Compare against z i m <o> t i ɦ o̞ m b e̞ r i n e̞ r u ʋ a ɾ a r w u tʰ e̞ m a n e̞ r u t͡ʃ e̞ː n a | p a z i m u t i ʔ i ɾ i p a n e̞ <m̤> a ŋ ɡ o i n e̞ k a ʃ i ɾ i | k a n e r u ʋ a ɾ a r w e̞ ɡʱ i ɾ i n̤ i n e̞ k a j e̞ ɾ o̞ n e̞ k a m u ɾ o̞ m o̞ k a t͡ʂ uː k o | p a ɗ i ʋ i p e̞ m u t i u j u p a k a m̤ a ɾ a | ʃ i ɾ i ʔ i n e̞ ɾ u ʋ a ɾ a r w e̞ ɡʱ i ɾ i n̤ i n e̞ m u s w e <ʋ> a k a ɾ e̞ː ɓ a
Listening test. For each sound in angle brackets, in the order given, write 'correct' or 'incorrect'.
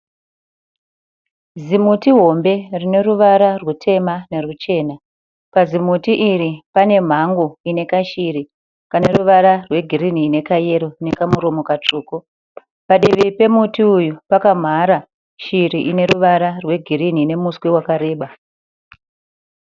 incorrect, correct, incorrect

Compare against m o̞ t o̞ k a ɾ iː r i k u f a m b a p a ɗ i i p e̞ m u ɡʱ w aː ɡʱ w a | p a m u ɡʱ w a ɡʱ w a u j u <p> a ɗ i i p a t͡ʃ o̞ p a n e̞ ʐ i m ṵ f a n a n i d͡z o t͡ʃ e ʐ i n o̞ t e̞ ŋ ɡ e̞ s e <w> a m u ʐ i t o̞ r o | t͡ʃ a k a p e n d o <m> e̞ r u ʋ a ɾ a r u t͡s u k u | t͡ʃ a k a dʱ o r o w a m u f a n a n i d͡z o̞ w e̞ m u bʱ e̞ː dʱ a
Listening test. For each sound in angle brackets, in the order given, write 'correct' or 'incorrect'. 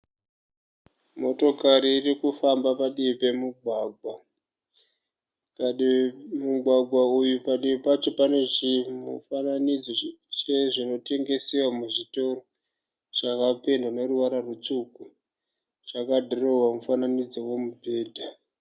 correct, correct, incorrect

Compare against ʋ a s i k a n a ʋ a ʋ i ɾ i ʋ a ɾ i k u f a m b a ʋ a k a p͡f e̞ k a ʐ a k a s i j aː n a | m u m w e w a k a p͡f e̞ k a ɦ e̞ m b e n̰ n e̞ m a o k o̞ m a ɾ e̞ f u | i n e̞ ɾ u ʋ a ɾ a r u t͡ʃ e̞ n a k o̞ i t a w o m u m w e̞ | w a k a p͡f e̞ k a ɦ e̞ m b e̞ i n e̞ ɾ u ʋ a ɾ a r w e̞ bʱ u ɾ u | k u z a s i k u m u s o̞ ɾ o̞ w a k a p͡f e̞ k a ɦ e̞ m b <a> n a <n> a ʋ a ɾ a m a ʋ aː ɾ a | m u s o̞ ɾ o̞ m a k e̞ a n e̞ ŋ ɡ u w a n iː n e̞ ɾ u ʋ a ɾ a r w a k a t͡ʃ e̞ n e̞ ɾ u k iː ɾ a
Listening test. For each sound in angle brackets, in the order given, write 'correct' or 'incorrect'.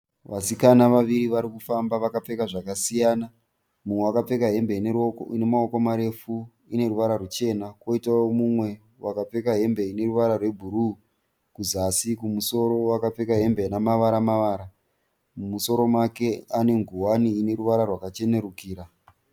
incorrect, incorrect

